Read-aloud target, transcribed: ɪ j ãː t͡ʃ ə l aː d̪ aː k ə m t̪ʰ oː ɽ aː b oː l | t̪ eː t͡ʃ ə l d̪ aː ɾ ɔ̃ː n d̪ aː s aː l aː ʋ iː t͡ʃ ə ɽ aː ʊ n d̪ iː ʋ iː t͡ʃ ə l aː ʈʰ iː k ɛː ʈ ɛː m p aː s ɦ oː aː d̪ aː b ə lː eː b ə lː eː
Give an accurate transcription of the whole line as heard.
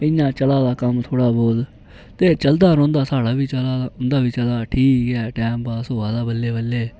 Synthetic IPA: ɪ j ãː t͡ʃ ə l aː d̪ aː k ə m t̪ʰ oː ɽ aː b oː l | t̪ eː t͡ʃ ə l d̪ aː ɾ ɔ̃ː n d̪ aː s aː ɽ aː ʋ iː t͡ʃ ə l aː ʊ n d̪ aː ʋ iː t͡ʃ ə l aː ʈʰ iː k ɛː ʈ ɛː m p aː s ɦ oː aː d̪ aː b ə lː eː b ə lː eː